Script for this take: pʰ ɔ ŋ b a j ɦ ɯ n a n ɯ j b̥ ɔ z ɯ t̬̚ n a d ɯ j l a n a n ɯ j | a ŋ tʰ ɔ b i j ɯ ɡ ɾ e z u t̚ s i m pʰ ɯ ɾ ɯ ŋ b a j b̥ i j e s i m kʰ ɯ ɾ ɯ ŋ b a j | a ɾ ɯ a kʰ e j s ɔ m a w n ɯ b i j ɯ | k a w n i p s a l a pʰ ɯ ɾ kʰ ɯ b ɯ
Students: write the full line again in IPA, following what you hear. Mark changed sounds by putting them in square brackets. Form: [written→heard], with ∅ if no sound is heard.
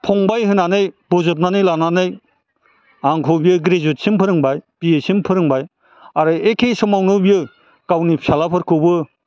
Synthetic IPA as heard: pʰ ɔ ŋ b a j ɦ ɯ n a n ɯ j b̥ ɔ z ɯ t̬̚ n a [d→n] ɯ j l a n a n ɯ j | a ŋ [tʰ→kʰ] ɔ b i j ɯ ɡ ɾ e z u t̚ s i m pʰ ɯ ɾ ɯ ŋ b a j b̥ i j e s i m [kʰ→pʰ] ɯ ɾ ɯ ŋ b a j | a ɾ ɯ [a→e] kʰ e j s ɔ m a w n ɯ b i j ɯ | k a w n i p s a l a pʰ ɯ ɾ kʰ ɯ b ɯ